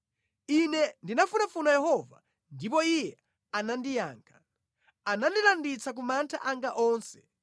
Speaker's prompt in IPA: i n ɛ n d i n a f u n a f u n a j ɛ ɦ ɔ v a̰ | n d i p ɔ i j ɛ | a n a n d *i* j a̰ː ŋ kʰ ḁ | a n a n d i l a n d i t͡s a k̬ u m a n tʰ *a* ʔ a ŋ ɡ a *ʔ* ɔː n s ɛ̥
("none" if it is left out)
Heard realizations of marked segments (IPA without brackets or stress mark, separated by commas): i, a, ʔ